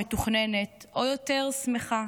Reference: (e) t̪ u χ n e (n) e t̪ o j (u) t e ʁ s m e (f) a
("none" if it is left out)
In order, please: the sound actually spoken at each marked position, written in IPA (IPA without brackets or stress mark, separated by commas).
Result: e, n, o, χ